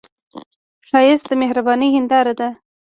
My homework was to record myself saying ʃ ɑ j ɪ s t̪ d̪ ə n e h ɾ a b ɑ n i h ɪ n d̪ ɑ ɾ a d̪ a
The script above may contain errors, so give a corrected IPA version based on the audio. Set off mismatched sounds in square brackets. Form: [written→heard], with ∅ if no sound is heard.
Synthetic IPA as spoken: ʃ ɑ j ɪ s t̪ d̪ ə [n→m] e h ɾ a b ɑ n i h ɪ n d̪ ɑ ɾ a d̪ a